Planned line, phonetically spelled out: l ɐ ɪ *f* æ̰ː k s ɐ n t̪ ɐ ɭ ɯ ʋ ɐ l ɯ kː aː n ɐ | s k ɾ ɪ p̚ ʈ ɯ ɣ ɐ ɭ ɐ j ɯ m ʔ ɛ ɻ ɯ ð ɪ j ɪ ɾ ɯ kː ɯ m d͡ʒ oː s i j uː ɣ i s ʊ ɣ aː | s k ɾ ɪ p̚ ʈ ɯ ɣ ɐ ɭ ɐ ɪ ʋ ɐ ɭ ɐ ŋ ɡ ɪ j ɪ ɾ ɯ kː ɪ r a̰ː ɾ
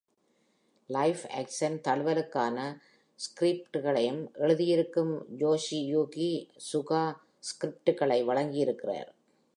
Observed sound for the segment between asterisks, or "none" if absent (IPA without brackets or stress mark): f